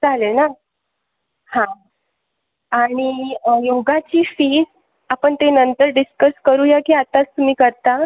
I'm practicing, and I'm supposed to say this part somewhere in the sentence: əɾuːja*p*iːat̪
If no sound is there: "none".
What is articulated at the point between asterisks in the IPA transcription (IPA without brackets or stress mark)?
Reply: k